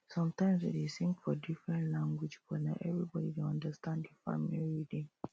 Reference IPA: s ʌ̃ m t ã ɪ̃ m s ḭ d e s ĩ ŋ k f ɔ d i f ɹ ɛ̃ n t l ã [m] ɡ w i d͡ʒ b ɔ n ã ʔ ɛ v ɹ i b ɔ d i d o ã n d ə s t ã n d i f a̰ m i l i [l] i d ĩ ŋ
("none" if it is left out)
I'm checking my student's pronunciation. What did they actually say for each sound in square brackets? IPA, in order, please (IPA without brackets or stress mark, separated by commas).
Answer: ŋ, ɹ